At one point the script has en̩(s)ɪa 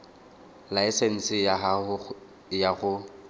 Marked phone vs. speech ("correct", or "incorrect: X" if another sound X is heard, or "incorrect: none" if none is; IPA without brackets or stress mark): correct